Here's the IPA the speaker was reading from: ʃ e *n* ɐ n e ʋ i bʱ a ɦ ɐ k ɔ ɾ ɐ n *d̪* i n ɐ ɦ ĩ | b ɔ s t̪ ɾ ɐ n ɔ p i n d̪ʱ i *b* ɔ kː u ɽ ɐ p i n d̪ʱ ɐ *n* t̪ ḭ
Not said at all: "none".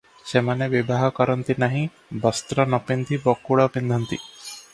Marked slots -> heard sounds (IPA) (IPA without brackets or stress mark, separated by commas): m, t̪, b, n